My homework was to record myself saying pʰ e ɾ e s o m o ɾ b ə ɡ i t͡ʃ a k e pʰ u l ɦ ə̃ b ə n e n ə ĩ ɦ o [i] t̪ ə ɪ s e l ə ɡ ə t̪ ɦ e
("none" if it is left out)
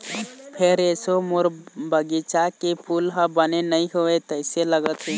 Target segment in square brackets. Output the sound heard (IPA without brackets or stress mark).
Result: e